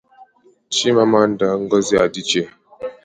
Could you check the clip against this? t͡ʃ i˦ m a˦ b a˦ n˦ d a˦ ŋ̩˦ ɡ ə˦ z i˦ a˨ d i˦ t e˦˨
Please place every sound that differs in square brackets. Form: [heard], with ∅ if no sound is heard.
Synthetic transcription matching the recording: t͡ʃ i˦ m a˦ [m] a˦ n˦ d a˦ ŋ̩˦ ɡ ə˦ z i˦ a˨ d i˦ [t͡ʃ] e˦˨